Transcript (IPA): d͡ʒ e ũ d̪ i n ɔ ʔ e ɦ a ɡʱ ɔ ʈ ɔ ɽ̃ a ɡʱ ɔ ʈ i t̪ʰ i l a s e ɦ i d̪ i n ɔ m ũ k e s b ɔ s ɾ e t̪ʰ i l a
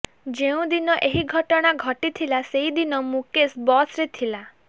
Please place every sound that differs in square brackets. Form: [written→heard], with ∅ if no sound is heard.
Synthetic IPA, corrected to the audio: d͡ʒ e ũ d̪ i n ɔ ʔ e ɦ [a→i] ɡʱ ɔ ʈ ɔ ɽ̃ a ɡʱ ɔ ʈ i t̪ʰ i l a s e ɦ i d̪ i n ɔ m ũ k e s b ɔ s ɾ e t̪ʰ i l a